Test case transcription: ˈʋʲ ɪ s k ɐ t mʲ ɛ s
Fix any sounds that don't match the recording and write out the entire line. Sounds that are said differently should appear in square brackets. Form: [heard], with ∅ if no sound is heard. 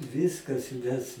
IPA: ˈʋʲ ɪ s k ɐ [s] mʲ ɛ s